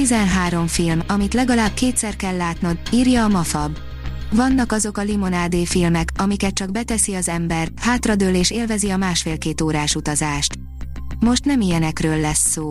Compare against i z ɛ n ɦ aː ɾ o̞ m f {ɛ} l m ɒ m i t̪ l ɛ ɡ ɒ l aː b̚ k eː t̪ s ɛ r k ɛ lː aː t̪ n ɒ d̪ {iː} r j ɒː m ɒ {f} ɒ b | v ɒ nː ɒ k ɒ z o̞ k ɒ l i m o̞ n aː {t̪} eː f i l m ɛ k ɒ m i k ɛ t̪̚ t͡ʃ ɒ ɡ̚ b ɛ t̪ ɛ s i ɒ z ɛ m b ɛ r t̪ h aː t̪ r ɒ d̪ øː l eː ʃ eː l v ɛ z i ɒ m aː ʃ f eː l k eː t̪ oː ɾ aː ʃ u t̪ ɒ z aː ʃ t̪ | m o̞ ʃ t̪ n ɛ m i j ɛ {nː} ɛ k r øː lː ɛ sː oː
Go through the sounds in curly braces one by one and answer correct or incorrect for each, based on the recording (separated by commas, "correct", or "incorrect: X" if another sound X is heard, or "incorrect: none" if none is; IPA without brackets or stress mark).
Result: incorrect: i, correct, correct, incorrect: d̪, incorrect: n